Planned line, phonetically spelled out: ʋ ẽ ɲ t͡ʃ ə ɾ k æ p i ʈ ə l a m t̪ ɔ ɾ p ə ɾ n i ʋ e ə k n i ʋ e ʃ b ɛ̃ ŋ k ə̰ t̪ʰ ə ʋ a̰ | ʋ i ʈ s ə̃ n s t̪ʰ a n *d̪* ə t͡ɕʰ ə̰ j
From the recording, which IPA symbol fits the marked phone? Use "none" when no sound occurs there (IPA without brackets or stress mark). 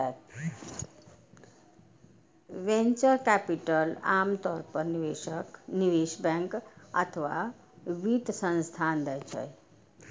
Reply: d̪